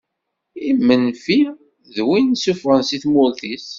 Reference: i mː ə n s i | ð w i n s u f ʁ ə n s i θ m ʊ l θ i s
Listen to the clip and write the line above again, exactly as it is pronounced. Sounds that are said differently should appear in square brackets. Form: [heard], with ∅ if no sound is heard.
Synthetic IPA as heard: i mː ə n [f] i | ð w i n s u f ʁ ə n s i θ m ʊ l θ i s